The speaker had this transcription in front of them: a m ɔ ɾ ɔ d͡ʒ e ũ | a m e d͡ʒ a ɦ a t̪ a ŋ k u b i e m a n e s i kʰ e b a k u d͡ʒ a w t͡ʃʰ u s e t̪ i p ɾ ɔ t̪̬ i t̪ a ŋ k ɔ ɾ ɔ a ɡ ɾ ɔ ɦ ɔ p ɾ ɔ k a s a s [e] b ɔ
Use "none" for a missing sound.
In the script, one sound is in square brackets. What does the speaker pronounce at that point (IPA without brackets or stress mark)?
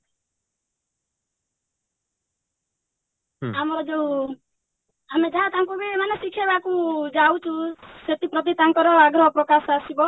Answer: i